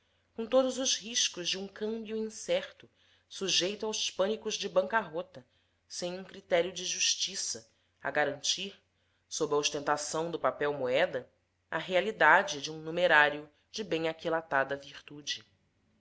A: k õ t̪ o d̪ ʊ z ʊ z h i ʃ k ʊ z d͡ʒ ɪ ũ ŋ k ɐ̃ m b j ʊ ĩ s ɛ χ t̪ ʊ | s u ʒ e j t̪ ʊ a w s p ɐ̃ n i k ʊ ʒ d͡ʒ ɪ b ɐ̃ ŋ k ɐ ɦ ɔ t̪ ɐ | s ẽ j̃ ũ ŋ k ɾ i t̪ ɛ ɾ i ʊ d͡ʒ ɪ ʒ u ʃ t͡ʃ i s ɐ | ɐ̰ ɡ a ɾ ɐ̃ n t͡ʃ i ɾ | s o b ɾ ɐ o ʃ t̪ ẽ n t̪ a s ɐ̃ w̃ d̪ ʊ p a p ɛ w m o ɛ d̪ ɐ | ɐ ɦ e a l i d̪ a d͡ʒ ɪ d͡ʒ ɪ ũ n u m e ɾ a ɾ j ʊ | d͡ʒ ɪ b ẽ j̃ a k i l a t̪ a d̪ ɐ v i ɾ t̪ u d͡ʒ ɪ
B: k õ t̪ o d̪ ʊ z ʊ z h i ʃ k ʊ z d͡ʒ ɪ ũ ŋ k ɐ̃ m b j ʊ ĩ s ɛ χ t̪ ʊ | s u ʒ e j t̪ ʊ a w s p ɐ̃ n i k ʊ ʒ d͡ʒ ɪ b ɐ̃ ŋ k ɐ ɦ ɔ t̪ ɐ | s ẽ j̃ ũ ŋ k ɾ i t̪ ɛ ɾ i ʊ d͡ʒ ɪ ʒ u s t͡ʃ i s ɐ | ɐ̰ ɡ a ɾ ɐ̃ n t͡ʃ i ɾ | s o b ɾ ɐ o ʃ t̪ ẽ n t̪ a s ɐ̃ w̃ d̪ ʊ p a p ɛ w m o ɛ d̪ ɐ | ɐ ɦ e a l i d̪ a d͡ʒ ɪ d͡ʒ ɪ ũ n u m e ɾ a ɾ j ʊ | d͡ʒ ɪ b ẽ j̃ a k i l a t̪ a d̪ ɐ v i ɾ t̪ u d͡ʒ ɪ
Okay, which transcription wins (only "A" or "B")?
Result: A